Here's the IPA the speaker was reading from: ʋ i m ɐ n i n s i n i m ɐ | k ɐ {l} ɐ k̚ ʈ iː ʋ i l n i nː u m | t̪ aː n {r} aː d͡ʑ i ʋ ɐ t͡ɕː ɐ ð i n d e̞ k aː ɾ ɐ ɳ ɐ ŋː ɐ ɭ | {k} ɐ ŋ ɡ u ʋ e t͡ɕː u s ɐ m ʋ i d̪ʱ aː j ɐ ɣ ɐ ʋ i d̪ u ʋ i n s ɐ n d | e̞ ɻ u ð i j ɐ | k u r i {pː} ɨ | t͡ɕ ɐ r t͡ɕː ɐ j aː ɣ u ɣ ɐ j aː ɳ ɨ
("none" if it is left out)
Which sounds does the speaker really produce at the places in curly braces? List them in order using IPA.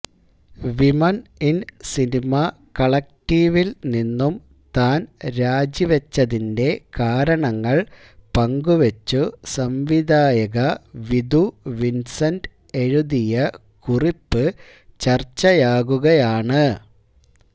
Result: ɭ, ɾ, p, pː

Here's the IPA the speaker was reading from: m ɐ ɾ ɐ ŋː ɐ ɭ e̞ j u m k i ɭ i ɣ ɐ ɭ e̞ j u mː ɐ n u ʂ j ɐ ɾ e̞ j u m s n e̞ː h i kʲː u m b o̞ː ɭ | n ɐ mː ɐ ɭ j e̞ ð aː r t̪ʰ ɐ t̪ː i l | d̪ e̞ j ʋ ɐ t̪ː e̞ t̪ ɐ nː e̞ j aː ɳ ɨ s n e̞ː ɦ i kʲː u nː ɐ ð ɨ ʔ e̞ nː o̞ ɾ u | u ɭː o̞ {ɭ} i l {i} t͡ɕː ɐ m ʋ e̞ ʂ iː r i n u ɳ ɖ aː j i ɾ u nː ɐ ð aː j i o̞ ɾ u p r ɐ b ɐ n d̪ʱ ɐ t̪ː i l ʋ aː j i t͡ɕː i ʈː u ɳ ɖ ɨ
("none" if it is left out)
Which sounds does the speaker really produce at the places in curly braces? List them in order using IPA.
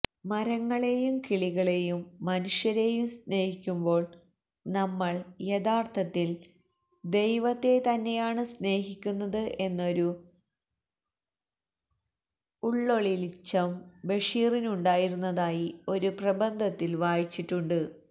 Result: ɭ, i

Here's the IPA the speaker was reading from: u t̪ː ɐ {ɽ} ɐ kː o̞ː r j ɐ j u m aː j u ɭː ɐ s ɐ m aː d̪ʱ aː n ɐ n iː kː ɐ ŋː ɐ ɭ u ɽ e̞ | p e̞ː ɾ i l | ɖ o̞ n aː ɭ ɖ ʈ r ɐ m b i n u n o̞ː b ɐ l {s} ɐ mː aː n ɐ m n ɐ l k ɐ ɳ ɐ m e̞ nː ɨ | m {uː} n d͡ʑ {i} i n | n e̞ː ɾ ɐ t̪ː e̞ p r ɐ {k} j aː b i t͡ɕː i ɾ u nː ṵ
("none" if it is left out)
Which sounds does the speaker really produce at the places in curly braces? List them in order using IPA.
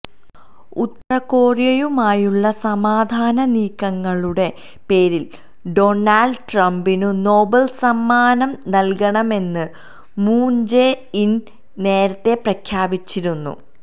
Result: r, s, uː, e, kʰ

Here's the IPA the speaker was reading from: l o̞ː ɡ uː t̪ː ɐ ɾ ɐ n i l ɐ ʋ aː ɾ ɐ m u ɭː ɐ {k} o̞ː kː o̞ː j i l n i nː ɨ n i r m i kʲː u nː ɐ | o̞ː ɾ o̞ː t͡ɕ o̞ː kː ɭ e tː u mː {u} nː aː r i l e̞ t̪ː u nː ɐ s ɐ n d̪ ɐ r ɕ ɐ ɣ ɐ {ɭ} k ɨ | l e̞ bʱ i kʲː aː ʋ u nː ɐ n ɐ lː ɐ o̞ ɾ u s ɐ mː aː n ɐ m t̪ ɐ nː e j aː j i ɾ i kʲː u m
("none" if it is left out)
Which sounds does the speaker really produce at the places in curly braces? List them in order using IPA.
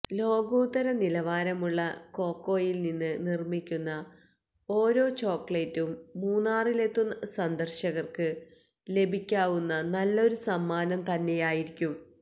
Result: k, uː, r

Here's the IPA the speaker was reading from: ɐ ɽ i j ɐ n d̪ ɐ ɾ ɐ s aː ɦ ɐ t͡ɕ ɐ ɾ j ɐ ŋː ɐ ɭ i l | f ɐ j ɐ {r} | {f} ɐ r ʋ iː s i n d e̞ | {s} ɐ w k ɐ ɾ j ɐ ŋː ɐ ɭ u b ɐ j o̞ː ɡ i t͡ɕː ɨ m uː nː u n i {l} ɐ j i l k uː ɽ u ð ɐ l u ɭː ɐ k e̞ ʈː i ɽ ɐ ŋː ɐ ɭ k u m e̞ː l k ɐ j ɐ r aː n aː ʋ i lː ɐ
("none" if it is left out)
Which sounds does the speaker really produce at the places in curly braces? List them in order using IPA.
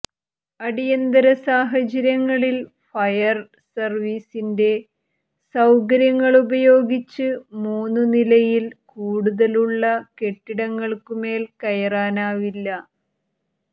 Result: r, s, s, l

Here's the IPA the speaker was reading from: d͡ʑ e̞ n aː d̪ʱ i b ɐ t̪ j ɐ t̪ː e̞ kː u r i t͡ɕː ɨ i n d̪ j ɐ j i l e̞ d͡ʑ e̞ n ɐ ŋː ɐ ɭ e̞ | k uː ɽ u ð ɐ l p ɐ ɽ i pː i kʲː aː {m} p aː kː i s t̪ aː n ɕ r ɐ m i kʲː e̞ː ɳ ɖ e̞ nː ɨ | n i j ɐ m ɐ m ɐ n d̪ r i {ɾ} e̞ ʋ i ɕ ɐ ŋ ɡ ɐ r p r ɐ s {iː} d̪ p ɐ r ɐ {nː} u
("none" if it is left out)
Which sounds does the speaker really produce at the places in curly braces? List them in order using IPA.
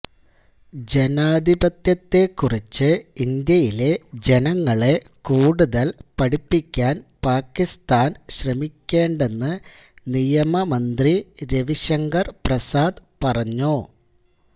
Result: n, ɾ, aː, ɲː

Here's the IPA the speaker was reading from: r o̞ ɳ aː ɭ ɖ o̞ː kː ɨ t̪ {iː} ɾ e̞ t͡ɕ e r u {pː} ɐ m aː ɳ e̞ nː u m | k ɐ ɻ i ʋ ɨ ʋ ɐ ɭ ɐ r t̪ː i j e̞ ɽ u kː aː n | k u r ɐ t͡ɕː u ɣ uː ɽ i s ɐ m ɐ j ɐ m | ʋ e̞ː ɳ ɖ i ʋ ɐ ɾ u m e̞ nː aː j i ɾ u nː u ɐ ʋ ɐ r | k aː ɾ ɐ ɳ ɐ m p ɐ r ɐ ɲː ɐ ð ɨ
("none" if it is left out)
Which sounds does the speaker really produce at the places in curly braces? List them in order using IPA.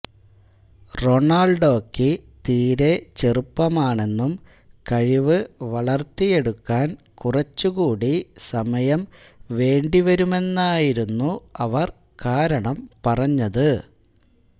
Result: iː, pː

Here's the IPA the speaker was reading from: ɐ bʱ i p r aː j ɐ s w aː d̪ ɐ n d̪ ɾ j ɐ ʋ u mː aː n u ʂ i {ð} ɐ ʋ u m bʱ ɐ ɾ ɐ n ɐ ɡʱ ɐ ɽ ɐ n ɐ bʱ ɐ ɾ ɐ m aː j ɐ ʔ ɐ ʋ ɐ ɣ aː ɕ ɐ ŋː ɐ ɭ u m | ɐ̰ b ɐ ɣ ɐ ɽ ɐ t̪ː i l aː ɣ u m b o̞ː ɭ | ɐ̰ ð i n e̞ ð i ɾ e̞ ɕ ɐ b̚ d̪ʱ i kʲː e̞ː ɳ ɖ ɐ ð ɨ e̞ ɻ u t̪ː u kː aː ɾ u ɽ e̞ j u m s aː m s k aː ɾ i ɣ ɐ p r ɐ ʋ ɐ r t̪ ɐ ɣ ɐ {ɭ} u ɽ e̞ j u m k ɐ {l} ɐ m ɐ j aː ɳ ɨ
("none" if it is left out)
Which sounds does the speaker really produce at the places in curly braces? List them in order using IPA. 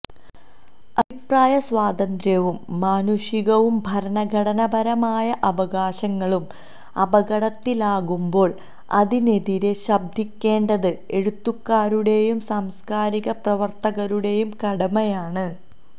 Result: ɣ, ɾ, ɽ

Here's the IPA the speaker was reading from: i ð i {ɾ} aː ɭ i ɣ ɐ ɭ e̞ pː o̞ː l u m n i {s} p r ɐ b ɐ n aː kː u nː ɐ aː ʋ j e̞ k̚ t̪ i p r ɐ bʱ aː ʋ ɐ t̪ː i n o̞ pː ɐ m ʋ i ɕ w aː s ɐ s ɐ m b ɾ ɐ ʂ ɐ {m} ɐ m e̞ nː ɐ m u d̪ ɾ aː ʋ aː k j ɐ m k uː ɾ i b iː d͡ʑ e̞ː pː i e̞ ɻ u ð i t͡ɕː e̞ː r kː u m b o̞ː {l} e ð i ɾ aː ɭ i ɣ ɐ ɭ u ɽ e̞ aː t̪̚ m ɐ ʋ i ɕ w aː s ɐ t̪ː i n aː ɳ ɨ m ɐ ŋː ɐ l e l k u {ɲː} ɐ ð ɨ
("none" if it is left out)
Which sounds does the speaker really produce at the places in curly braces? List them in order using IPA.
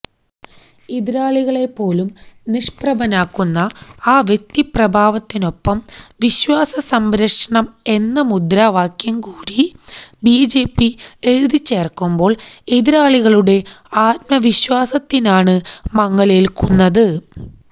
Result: ɾ, ʂ, ɳ, ɭ, nː

